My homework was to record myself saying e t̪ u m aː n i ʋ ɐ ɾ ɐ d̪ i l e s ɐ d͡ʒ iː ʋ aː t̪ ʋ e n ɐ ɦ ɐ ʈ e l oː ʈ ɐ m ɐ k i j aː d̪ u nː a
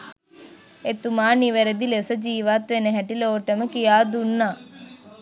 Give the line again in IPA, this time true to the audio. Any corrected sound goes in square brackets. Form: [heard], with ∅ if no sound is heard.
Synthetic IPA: e t̪ u m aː n i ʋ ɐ ɾ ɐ d̪ i l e s ɐ d͡ʒ iː ʋ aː t̪ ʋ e n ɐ ɦ ɐ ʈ [i] l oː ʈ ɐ m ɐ k i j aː d̪ u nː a